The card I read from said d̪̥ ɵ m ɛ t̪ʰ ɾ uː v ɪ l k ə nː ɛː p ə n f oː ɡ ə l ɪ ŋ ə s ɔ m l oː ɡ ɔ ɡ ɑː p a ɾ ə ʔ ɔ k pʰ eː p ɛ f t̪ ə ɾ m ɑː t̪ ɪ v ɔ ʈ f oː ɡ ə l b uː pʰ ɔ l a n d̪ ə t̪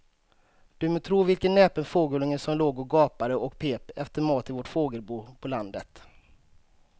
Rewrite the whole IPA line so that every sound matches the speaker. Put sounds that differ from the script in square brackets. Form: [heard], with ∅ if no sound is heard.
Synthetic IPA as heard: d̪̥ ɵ m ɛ t̪ʰ ɾ uː v ɪ l k ə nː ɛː p ə n f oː ɡ ə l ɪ ŋ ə s ɔ m l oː ɡ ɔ ɡ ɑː p a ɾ ə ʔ ɔ k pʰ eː p ɛ f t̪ ə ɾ m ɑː t̪ ɪ v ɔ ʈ f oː ɡ ə l b uː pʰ ɔ l a n d̪ ə t̪